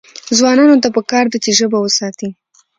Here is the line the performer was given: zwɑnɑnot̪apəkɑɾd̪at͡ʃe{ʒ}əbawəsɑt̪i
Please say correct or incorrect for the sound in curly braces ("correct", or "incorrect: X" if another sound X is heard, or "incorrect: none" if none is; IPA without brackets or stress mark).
correct